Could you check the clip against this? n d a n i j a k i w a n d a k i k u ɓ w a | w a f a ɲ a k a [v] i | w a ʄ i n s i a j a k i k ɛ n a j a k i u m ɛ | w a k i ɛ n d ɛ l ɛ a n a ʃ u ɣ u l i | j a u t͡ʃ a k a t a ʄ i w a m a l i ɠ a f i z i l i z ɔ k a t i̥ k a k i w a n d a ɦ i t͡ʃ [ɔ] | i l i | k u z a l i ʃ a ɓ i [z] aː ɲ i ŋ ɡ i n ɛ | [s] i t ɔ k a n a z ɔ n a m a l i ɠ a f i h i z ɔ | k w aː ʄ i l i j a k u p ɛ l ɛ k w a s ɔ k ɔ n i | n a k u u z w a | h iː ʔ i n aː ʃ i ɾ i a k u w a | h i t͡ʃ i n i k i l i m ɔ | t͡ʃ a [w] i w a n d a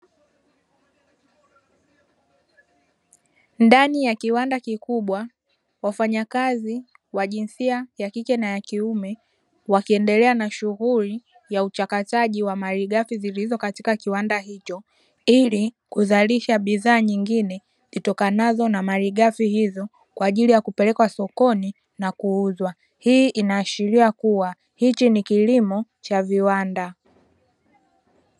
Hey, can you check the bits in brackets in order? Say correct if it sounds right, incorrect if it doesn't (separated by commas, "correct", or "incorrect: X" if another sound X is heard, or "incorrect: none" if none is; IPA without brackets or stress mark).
incorrect: z, correct, incorrect: ð, incorrect: z, incorrect: v